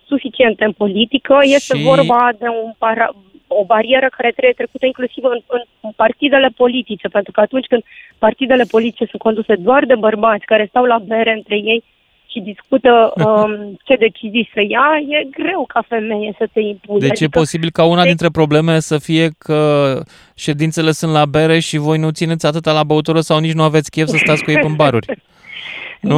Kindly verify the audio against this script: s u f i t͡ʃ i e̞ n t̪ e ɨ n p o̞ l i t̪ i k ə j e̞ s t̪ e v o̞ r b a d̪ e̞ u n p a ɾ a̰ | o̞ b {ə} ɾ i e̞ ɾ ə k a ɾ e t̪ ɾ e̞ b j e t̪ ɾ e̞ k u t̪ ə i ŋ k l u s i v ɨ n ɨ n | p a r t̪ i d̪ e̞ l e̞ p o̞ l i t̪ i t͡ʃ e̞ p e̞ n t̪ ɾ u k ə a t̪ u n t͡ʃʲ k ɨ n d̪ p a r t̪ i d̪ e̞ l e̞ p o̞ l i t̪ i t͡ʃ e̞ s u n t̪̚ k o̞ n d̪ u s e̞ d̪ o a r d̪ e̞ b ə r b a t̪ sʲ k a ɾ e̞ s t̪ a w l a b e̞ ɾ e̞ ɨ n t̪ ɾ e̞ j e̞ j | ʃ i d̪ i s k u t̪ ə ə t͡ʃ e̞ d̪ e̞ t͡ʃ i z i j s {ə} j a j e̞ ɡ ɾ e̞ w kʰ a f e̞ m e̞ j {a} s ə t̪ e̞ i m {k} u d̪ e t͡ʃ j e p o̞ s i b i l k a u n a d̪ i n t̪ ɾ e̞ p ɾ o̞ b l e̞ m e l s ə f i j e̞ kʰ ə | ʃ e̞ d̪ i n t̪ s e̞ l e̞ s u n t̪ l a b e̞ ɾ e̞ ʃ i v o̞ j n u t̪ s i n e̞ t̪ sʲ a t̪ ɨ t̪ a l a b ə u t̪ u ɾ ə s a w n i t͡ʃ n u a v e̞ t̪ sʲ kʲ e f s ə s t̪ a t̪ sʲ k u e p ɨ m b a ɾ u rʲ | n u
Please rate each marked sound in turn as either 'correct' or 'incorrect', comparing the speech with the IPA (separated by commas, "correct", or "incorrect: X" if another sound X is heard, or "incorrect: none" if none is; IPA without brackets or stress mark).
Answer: incorrect: a, correct, incorrect: e, incorrect: p